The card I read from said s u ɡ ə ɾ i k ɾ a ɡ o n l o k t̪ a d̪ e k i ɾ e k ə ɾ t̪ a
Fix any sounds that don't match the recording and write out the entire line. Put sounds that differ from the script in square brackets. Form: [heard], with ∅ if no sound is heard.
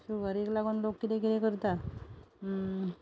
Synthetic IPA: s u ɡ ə ɾ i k [l] a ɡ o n l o k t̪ [i] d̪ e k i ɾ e k ə ɾ t̪ a